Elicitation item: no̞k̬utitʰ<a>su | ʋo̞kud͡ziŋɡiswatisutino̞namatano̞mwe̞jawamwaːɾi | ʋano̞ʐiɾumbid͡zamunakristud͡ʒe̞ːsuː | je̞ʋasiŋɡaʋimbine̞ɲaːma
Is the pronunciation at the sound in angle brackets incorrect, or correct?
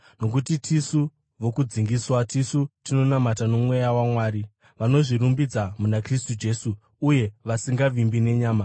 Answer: incorrect: i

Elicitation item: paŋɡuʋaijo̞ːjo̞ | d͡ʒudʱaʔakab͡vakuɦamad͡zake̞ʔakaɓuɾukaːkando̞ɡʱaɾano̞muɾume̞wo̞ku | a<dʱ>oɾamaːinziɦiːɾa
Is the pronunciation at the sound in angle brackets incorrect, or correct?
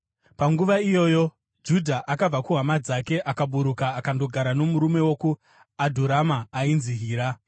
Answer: correct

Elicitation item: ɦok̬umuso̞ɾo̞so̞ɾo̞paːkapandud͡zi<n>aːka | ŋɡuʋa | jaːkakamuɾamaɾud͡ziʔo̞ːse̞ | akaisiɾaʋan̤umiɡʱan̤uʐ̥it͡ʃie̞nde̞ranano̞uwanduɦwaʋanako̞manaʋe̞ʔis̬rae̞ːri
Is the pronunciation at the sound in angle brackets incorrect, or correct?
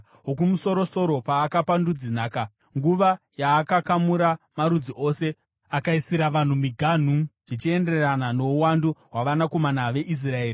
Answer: correct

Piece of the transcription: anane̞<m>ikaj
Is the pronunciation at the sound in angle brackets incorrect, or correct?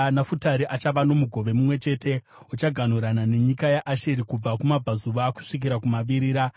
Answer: incorrect: ɲ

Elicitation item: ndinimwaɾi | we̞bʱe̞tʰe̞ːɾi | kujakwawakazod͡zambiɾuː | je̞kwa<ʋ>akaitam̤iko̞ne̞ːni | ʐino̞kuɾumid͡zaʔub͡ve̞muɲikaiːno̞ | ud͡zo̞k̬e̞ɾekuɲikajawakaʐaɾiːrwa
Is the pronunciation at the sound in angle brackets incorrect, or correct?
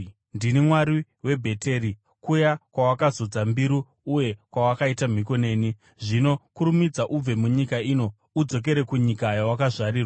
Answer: incorrect: w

